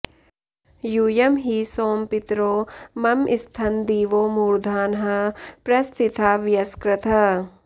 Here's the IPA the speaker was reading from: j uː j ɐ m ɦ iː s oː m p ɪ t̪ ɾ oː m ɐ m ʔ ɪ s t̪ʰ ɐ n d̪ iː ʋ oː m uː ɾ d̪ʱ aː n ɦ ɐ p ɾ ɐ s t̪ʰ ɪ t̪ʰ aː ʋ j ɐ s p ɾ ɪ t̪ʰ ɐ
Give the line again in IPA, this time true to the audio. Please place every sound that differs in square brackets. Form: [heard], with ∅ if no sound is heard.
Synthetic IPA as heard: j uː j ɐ m ɦ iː s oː m p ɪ t̪ ɾ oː m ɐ m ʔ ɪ s t̪ʰ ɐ n d̪ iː ʋ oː m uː ɾ d̪ʱ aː n ɦ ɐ p ɾ ɐ s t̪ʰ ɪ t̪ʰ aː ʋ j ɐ s [k] ɾ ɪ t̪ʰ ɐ

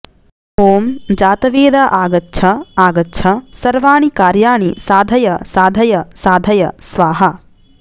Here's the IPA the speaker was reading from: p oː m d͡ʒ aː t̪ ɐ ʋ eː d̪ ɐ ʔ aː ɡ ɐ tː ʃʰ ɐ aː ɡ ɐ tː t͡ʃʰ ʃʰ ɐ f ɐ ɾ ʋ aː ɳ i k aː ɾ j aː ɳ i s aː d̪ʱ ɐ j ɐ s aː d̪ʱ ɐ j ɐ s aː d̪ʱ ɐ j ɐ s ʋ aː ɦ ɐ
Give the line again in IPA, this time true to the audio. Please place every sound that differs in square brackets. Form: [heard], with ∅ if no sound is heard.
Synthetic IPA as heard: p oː m d͡ʒ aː t̪ ɐ ʋ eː d̪ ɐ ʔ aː ɡ ɐ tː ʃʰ ɐ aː ɡ ɐ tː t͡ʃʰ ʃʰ ɐ [s] ɐ ɾ ʋ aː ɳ i k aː ɾ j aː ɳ i s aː d̪ʱ ɐ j ɐ s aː d̪ʱ ɐ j ɐ s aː d̪ʱ ɐ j ɐ s ʋ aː ɦ ɐ

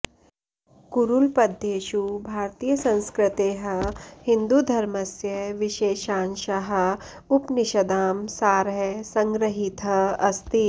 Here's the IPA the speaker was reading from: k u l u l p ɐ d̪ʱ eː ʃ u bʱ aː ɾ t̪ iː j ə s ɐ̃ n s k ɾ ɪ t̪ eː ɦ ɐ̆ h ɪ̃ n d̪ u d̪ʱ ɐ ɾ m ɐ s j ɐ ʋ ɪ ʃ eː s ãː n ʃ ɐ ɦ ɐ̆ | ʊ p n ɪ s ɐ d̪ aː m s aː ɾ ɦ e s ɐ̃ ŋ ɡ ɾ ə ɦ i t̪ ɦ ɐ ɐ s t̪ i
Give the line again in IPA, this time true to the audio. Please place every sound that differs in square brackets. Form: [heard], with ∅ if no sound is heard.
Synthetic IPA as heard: k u [ɾ] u l p ɐ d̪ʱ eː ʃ u bʱ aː ɾ t̪ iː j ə s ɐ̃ n s k ɾ ɪ t̪ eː ɦ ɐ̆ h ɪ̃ n d̪ u d̪ʱ ɐ ɾ m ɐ s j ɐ ʋ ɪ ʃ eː [ʃ] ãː n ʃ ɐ ɦ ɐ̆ | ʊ p n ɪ [ʃ] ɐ d̪ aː m s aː ɾ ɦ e s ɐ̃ ŋ ɡ ɾ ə ɦ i t̪ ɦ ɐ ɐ s t̪ i

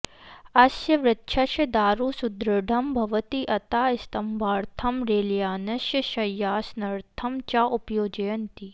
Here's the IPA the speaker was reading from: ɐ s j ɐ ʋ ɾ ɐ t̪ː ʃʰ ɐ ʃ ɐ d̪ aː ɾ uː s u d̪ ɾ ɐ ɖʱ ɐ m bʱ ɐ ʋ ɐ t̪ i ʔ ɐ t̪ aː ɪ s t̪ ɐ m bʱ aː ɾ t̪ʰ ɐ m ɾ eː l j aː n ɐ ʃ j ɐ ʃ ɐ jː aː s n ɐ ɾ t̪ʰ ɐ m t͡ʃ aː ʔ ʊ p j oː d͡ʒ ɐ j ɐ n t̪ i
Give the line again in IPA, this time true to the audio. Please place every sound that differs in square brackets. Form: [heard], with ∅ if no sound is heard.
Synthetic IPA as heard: ɐ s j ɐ ʋ ɾ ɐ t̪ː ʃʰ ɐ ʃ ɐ d̪ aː ɾ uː s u d̪ ɾ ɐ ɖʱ ɐ m bʱ ɐ ʋ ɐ t̪ i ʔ ɐ t̪ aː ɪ s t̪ ɐ m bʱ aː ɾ t̪ʰ ɐ m ɾ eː l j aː n ɐ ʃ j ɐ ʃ ɐ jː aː s n ɐ ɾ t̪ʰ ɐ m t͡ʃ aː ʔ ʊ p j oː d͡ʒ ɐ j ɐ n t̪ i

